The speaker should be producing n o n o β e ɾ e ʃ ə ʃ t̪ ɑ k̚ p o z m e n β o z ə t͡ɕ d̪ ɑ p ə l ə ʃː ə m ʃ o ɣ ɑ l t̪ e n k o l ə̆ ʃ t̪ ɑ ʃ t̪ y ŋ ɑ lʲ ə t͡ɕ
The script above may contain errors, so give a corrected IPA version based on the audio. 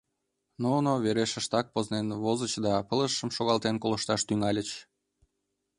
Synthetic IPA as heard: n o n o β e ɾ e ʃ ə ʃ t̪ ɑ k̚ p o z n e n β o z ə t͡ɕ d̪ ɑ p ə l ə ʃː ə m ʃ o ɣ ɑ l t̪ e n k o l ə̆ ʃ t̪ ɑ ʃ t̪ y ŋ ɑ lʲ ə t͡ɕ